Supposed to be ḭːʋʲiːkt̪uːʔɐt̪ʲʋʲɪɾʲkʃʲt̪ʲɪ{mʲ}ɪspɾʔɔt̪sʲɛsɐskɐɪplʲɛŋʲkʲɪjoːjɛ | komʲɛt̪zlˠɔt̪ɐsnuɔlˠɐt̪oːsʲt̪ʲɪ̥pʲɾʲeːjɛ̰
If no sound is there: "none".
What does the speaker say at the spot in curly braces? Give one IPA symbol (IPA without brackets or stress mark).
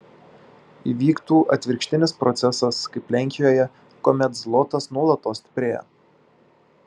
nʲ